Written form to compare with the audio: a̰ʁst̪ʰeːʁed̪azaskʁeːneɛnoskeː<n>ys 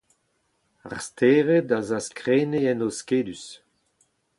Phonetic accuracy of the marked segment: incorrect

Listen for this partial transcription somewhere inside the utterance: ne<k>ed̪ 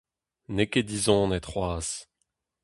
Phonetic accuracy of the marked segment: correct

